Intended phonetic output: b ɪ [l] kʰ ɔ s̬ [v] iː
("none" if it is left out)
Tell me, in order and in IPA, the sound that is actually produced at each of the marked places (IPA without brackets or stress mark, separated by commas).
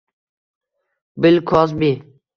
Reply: l, b